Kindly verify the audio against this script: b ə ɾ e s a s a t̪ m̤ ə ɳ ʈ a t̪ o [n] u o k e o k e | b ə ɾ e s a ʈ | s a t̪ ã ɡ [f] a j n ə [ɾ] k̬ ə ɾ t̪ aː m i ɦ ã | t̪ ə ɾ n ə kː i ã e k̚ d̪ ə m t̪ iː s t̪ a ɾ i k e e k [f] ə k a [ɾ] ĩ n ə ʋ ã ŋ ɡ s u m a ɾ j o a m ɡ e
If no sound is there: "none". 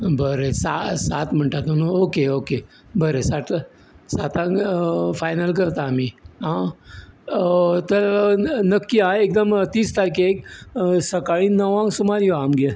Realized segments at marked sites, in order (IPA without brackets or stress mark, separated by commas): n, f, l, s, ɭ